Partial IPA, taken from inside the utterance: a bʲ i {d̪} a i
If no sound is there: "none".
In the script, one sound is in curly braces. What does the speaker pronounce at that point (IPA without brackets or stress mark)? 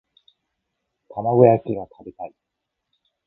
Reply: t̪